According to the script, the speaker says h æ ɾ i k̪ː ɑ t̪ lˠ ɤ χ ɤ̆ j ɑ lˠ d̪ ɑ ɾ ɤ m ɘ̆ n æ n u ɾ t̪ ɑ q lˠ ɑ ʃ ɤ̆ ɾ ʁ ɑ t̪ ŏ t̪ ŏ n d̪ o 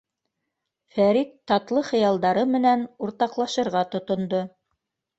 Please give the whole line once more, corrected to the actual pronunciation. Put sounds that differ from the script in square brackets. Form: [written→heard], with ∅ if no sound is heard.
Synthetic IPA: [h→f] æ ɾ i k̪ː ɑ t̪ lˠ ɤ χ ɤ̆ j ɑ lˠ d̪ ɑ ɾ ɤ m ɘ̆ n æ n u ɾ t̪ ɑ q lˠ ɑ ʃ ɤ̆ ɾ ʁ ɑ t̪ ŏ t̪ ŏ n d̪ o